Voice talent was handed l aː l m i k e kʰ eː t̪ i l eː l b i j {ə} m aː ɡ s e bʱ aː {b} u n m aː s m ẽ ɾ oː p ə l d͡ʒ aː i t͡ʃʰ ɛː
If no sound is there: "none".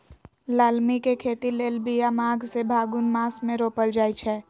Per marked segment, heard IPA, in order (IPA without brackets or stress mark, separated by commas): a, ɡ